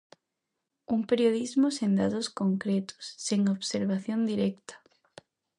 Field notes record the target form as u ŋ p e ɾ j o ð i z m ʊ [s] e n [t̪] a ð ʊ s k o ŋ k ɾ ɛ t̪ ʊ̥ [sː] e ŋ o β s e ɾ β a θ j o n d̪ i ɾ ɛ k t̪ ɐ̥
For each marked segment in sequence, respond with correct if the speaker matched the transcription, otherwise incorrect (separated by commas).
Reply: correct, incorrect, correct